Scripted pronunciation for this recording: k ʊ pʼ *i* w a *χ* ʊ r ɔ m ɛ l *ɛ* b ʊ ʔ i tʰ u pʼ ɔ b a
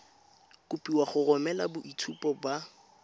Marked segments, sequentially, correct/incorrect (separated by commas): correct, correct, incorrect